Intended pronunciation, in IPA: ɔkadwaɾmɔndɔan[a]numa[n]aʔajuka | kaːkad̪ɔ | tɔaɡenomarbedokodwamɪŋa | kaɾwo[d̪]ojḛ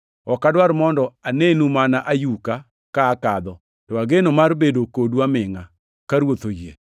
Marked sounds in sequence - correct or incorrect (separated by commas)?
incorrect, correct, incorrect